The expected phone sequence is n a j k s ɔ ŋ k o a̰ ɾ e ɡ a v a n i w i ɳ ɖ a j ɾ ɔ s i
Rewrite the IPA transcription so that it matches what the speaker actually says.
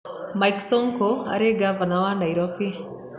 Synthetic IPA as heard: m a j k s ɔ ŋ k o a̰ ɾ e ɡ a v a n a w a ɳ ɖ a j ɾ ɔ f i